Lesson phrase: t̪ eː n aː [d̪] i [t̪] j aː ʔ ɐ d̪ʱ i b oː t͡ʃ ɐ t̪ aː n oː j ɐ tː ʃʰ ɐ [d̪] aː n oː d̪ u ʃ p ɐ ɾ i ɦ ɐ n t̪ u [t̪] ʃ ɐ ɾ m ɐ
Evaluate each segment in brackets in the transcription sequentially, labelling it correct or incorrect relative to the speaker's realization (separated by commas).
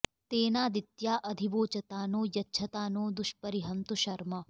correct, correct, incorrect, incorrect